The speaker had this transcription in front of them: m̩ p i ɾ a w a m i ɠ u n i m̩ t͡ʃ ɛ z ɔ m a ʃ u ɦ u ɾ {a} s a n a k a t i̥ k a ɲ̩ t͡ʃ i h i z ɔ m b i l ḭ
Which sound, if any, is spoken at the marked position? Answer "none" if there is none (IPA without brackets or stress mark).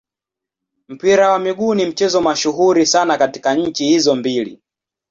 i